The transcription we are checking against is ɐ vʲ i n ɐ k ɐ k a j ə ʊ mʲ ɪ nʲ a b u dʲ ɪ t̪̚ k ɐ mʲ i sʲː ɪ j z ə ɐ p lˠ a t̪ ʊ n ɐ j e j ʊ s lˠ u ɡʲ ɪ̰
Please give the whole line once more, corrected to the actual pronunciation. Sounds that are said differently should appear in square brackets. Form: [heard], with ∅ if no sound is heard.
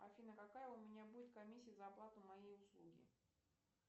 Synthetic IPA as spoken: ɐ [fʲ] i n [ə] k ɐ k a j ə ʊ mʲ ɪ nʲ a b u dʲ ɪ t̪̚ k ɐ mʲ i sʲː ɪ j z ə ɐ p lˠ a t̪ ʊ [m] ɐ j e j ʊ s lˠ u ɡʲ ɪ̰